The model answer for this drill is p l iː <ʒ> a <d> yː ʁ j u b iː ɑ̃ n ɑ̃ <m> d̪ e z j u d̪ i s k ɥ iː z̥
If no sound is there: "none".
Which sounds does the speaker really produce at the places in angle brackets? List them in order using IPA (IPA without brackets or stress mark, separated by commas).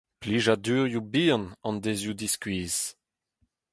ʒ, d, n